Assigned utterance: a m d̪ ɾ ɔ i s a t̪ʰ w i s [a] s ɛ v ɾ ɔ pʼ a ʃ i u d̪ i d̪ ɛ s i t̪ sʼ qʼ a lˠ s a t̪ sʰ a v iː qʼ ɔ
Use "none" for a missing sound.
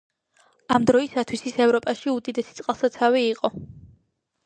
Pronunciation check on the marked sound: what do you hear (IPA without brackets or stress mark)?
i